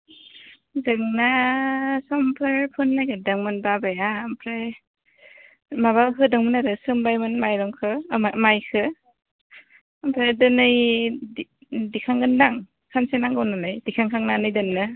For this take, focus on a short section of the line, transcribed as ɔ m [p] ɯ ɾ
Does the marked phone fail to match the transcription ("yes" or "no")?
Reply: yes